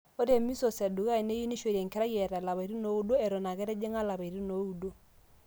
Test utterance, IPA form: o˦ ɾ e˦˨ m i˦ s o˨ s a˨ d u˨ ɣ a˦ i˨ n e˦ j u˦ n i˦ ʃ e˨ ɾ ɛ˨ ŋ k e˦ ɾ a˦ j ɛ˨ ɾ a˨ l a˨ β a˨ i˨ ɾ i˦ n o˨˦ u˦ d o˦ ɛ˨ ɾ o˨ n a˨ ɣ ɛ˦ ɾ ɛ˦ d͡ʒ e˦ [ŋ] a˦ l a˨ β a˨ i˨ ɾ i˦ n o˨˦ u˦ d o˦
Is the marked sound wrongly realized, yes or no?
no